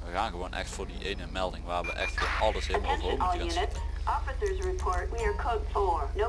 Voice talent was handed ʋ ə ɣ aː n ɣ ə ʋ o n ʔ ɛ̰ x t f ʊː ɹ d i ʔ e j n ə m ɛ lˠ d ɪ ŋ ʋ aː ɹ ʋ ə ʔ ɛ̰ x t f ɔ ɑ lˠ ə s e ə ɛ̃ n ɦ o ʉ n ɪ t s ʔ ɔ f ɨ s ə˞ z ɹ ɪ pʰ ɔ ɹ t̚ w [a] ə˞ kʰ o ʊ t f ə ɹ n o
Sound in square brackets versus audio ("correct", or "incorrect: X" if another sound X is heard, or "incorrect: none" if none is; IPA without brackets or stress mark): incorrect: i